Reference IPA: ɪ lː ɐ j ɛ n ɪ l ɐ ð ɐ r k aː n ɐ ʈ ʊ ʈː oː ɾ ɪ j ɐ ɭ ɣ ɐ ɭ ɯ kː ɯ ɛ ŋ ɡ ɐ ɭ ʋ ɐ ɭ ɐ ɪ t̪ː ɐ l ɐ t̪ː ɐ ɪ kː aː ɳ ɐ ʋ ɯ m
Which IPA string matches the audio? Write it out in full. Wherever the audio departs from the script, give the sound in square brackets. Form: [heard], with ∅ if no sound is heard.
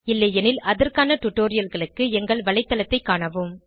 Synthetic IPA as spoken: ɪ lː ɐ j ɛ n ɪ l ɐ ð ɐ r k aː n ɐ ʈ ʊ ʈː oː ɾ ɪ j ɐ [l] ɣ ɐ ɭ ɯ kː ɯ ɛ ŋ ɡ ɐ ɭ ʋ ɐ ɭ ɐ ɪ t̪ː ɐ l ɐ t̪ː ɐ ɪ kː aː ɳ ɐ ʋ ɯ m